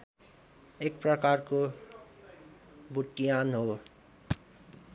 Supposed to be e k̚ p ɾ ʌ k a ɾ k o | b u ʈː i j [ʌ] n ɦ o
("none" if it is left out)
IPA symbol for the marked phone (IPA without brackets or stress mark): a